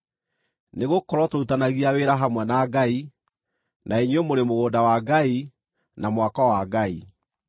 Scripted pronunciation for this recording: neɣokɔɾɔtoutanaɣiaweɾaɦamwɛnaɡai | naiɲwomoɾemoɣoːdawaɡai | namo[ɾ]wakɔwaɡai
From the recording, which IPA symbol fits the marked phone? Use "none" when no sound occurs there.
none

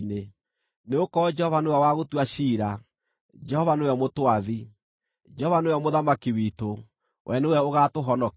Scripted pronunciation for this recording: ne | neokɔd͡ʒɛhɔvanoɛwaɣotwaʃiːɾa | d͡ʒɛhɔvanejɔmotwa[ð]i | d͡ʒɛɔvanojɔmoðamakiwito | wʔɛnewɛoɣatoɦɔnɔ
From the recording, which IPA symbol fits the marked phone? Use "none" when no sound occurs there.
ð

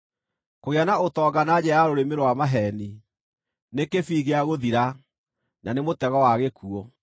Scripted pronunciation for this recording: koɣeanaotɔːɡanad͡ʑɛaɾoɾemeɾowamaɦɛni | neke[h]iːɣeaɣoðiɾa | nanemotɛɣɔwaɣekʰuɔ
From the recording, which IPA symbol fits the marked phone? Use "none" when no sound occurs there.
f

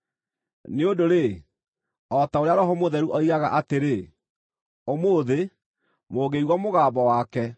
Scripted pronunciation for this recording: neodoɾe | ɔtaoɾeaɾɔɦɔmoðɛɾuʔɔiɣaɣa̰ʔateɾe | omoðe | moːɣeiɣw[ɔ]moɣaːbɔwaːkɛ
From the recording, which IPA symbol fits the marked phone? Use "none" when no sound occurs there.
ɔ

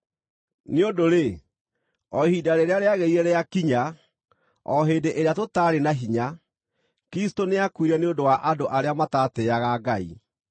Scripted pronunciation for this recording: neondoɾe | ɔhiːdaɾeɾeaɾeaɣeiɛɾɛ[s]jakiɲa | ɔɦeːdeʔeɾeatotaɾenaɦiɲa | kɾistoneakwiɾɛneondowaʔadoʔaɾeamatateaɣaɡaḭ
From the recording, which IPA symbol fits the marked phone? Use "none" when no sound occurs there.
none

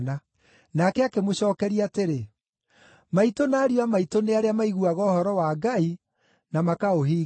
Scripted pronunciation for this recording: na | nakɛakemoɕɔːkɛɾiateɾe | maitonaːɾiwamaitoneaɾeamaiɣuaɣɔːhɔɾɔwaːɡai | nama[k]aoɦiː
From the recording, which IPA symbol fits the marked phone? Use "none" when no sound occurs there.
k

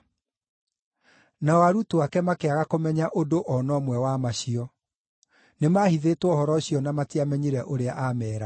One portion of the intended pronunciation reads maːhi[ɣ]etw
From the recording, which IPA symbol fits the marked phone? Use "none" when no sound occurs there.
ð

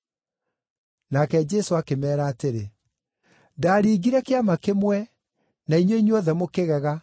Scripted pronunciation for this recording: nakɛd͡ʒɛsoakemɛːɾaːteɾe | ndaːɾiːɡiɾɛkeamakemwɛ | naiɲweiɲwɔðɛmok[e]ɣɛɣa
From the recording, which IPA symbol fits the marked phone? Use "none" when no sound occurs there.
e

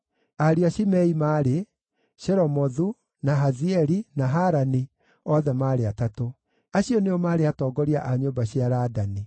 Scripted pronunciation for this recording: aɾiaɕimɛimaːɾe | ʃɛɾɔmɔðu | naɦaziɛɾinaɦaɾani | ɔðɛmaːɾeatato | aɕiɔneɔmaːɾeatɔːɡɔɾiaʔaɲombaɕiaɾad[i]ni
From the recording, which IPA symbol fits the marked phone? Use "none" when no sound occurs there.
a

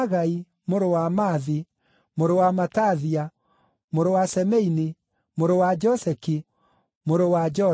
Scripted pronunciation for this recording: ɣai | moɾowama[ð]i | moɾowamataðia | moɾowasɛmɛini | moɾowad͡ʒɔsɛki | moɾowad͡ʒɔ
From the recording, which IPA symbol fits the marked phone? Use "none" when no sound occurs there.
ð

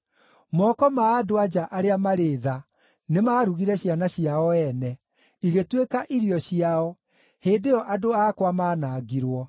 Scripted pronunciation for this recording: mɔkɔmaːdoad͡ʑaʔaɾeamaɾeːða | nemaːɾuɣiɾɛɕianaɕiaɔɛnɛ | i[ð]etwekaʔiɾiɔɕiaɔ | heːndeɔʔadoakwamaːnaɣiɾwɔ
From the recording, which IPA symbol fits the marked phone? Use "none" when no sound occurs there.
ɣ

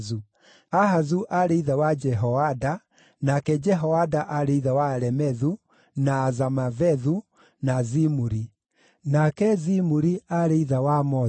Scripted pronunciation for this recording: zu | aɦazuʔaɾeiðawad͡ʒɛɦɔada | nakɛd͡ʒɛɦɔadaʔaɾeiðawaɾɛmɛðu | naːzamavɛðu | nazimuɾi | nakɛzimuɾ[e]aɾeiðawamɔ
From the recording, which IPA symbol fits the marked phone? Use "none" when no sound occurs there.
i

